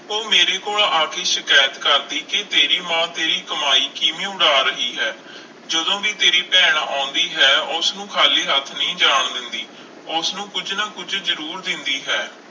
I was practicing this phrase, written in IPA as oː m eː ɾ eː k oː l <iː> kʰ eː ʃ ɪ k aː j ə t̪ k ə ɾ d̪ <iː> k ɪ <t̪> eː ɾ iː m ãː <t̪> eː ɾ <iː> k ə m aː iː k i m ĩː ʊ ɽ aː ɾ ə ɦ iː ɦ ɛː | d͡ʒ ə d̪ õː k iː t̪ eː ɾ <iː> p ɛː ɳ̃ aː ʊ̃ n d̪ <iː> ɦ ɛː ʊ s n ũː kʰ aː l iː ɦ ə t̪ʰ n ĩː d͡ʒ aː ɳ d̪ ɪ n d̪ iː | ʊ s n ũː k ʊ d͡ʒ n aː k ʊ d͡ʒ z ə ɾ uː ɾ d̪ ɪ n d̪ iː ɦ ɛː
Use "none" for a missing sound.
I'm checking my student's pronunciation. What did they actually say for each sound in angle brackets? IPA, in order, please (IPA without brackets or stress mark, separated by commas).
aː, iː, t̪, t̪, iː, iː, iː